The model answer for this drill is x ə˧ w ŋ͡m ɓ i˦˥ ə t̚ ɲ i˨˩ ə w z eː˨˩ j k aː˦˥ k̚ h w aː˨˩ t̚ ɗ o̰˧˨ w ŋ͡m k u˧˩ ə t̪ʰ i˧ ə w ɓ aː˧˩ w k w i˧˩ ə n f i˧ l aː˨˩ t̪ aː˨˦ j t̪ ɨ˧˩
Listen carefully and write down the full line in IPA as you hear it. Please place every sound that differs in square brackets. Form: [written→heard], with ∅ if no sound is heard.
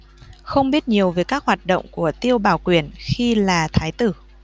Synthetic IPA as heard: x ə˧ w ŋ͡m ɓ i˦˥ ə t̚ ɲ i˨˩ ə w [z→v] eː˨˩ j k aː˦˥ k̚ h w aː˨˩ t̚ ɗ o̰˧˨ w ŋ͡m k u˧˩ ə [t̪ʰ→t̪] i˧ ə w ɓ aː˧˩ w k w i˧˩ ə n [f→x] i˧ l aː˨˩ [t̪→t̪ʰ] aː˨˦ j t̪ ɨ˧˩

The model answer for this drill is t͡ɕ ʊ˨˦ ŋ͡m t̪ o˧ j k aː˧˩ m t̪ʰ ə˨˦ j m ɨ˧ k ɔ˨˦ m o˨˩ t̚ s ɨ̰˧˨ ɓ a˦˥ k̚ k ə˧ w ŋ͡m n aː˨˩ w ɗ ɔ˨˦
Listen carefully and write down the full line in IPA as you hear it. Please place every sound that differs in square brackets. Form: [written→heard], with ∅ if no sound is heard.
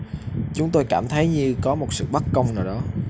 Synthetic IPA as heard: t͡ɕ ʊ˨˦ ŋ͡m t̪ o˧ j k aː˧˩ m t̪ʰ ə˨˦ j [m→ɲ] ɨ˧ k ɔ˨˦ m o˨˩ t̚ s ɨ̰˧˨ ɓ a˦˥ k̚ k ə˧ w ŋ͡m n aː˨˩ w ɗ ɔ˨˦

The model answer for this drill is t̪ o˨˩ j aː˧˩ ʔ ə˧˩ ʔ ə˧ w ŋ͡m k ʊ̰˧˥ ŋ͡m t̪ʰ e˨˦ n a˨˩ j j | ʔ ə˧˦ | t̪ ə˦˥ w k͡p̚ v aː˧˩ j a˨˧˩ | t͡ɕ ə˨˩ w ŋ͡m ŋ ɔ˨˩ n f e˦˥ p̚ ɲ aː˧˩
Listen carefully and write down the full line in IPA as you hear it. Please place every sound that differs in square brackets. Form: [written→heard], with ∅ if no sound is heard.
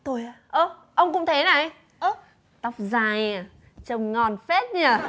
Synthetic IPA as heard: t̪ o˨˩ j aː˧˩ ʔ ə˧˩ ʔ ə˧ w ŋ͡m k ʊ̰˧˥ ŋ͡m t̪ʰ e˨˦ n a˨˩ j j | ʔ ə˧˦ | t̪ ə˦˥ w k͡p̚ [v→z] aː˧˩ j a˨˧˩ | t͡ɕ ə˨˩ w ŋ͡m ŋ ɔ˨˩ n f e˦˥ [p̚→t̚] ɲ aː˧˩

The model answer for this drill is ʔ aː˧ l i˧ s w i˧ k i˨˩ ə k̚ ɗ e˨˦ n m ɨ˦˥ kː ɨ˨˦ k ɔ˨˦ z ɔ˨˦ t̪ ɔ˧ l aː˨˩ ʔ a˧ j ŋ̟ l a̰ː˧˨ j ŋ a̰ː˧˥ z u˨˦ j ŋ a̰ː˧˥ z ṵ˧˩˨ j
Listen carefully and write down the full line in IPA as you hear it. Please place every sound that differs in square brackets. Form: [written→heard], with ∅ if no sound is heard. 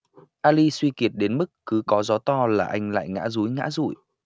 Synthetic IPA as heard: ʔ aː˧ l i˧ s w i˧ k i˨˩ ə [k̚→t̚] ɗ e˨˦ n m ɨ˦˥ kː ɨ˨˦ k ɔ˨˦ z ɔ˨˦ t̪ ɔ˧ l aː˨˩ ʔ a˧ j ŋ̟ l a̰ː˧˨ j ŋ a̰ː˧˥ z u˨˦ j ŋ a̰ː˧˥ z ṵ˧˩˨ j

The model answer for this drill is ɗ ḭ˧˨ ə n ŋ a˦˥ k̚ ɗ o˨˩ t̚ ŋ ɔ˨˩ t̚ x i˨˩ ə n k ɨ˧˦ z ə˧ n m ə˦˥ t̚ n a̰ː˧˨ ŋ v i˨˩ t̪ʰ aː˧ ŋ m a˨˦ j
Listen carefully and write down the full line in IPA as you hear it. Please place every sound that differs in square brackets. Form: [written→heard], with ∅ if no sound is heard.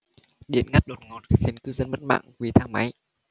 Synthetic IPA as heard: ɗ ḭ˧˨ ə n ŋ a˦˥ [k̚→t̚] ɗ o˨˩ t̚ ŋ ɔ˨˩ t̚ x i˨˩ ə n k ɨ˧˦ z ə˧ n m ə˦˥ t̚ [n→m] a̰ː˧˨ ŋ v i˨˩ t̪ʰ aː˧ ŋ m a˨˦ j

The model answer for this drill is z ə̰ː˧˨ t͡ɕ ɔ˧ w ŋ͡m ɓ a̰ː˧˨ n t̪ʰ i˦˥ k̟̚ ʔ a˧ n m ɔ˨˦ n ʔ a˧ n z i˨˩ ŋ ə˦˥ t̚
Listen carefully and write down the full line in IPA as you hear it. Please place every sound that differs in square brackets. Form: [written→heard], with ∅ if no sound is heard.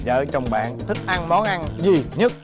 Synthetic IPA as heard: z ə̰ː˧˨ t͡ɕ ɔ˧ w ŋ͡m ɓ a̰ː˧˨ n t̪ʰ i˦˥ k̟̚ ʔ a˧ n m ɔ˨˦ n ʔ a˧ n z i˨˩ [ŋ→ɲ] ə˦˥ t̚

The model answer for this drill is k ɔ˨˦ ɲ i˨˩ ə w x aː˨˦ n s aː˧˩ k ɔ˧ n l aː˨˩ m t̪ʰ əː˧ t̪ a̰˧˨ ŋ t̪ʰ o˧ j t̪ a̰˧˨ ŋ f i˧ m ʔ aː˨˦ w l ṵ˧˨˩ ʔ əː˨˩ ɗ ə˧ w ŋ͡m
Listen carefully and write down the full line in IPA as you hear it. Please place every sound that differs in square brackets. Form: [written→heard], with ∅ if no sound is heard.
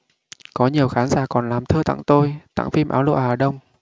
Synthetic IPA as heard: k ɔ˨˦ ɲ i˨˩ ə w x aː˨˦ n [s→z] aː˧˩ k [ɔ˧→ɔ˨˩] n l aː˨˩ m t̪ʰ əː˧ t̪ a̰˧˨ ŋ [t̪ʰ→t̪] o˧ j t̪ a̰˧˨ ŋ f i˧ m ʔ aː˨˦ w l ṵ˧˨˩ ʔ [əː˨˩→aː˨˩] ɗ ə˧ w ŋ͡m

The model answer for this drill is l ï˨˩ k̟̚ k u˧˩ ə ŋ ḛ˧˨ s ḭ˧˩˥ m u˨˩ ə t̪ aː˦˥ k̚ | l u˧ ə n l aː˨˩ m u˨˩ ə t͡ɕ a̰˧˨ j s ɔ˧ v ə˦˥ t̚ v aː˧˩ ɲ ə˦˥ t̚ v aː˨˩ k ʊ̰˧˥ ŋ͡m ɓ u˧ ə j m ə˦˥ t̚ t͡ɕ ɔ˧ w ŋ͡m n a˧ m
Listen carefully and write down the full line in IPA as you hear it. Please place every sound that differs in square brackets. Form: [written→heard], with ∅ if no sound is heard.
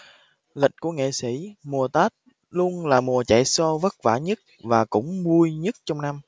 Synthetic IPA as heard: l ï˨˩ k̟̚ k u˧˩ ə ŋ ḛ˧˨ s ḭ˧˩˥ m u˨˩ ə t̪ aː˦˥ [k̚→t̚] | l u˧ ə n l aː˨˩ m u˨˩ ə t͡ɕ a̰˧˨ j s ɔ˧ v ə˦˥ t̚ v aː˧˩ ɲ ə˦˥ t̚ v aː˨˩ k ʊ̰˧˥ ŋ͡m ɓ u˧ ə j [m→ɲ] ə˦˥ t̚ t͡ɕ ɔ˧ w ŋ͡m n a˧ m

